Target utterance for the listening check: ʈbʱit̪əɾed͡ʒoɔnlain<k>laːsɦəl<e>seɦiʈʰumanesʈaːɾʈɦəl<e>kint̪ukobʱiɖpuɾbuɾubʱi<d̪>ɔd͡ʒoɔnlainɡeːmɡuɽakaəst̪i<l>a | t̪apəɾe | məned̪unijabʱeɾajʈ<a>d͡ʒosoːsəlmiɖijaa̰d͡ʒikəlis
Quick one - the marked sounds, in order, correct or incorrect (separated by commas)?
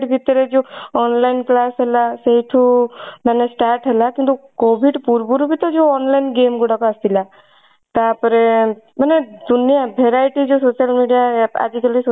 correct, incorrect, incorrect, incorrect, correct, incorrect